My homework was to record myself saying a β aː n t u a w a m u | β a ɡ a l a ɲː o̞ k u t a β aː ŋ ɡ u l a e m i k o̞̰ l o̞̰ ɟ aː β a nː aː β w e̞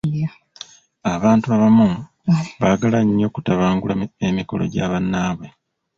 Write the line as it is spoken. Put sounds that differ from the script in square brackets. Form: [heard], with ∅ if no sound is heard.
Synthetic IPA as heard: a β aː n t u a [β] a m u | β a ɡ a l a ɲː o̞ k u t a β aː ŋ ɡ u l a e m i k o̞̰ l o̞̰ ɟ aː β a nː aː β w e̞